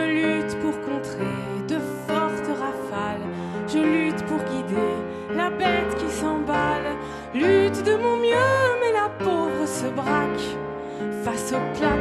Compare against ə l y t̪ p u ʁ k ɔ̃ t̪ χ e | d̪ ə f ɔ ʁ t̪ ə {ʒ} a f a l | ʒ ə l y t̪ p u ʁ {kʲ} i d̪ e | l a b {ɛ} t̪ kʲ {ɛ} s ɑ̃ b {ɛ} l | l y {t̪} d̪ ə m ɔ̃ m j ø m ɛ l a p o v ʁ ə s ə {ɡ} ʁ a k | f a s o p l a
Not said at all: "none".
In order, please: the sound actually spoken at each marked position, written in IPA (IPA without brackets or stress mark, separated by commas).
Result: ʁ, ɡʲ, ɛ, i, a, t̪, b